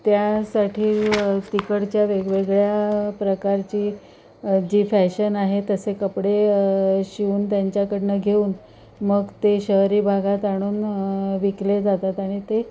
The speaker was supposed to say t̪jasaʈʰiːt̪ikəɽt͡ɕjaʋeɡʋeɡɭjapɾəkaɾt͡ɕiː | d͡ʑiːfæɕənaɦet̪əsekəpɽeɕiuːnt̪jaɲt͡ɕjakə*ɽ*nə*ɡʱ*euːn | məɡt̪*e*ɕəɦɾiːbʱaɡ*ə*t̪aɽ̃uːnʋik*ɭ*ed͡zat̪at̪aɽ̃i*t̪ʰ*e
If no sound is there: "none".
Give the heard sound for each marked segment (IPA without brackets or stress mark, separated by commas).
ɽ, ɡʱ, e, a, l, t̪